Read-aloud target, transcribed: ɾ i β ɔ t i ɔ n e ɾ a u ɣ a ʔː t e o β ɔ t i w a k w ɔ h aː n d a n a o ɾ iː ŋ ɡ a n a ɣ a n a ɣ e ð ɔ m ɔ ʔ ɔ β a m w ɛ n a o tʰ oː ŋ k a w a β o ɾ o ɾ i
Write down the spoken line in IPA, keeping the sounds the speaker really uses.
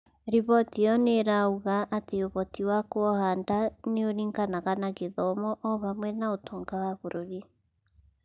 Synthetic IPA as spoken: ɾ i β ɔ t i ɔ n e ɾ a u ɣ a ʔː t e o β ɔ t i w a k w ɔ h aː n d a n e o ɾ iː ŋ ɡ a n a ɣ a n a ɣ e ð ɔ m ɔ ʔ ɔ β a m w ɛ n a o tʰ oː ŋ ɡ a w a β o ɾ o ɾ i